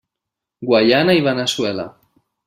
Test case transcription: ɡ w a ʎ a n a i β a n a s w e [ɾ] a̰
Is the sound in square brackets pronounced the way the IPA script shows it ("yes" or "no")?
no